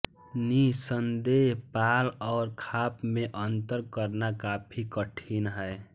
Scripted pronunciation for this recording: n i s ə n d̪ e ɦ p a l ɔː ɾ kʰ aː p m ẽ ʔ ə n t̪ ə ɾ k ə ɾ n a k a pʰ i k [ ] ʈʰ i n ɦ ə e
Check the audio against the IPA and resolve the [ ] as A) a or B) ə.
B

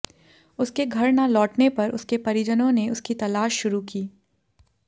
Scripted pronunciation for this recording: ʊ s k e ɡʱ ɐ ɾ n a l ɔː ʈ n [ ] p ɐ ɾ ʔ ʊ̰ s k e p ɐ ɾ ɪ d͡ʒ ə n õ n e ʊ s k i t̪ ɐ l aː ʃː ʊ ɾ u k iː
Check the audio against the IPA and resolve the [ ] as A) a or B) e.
B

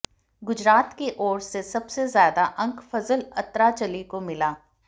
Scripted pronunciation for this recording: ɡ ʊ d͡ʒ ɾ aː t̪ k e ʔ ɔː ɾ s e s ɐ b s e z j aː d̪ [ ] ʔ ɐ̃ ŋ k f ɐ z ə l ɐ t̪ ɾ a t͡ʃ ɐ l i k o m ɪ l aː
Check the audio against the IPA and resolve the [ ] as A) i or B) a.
B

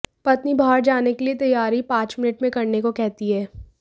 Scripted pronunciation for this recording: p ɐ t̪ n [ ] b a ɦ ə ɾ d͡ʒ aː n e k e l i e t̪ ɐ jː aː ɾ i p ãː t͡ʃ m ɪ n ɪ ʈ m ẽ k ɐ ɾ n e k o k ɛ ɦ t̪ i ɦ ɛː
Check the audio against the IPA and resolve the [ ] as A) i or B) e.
A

